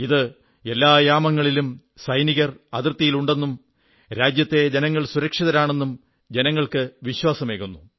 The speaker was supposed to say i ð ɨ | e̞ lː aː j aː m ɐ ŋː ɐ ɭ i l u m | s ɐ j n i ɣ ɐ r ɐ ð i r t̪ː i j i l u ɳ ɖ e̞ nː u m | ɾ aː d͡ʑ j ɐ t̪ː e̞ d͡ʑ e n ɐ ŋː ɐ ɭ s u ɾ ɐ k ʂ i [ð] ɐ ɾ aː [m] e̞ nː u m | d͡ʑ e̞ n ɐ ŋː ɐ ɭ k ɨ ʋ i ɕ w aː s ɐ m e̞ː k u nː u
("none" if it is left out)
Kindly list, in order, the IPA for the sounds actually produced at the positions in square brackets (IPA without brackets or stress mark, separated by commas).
ð, ɳ